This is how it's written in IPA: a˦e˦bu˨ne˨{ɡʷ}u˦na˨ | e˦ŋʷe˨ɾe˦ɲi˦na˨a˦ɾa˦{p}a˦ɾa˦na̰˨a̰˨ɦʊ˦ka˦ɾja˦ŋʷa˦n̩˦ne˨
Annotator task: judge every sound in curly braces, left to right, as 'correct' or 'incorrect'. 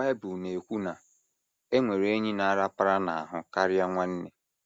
incorrect: kʷ, correct

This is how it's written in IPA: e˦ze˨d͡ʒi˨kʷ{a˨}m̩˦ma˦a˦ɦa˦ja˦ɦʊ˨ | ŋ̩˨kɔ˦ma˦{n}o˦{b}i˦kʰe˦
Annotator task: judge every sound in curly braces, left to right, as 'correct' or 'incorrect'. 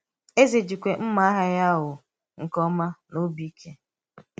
incorrect: e˨, correct, correct

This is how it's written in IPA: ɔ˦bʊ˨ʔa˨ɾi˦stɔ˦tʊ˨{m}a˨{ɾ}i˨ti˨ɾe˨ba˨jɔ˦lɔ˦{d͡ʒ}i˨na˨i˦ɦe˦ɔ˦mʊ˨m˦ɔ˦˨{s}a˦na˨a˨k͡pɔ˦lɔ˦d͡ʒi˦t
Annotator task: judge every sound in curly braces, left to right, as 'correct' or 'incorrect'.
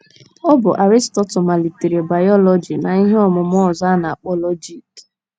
correct, incorrect: l, correct, incorrect: z

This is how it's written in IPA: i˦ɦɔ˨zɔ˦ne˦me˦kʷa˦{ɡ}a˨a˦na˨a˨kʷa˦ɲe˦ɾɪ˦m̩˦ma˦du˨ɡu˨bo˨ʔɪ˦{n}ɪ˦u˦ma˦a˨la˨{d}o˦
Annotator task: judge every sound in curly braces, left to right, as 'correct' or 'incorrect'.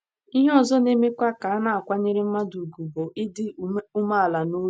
incorrect: k, incorrect: d, incorrect: n

